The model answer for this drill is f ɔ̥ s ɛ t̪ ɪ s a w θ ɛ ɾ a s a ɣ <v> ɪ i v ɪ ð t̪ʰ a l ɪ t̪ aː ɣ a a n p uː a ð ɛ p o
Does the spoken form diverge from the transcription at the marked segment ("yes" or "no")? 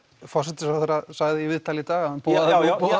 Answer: yes